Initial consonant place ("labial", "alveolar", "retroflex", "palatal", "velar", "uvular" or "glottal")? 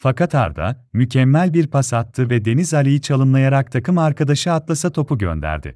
labial